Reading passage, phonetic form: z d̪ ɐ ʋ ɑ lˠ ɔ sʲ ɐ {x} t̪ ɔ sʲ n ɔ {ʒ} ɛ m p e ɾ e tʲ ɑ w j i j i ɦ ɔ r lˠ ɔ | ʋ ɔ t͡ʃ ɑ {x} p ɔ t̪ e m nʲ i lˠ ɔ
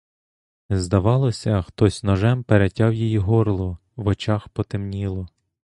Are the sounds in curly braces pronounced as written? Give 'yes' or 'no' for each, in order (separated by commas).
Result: yes, yes, yes